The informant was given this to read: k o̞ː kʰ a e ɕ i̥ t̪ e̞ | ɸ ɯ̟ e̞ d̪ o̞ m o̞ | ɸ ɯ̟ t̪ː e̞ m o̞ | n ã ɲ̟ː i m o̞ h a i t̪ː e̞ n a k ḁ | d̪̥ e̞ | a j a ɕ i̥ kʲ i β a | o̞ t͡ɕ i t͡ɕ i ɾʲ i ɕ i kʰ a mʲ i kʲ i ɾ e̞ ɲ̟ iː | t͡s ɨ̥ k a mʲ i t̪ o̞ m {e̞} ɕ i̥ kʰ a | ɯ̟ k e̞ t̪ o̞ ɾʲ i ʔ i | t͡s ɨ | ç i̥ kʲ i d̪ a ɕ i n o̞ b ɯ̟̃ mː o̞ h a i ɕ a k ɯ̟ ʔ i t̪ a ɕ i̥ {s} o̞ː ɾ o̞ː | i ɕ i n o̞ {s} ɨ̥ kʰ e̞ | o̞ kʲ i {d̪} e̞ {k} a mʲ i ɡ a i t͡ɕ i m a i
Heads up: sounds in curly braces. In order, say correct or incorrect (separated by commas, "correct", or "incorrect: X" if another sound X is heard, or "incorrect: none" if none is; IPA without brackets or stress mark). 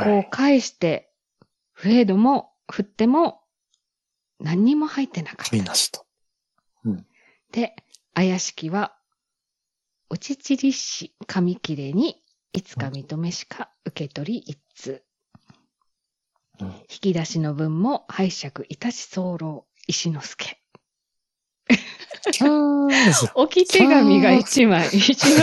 correct, correct, correct, incorrect: t̪, incorrect: ɡ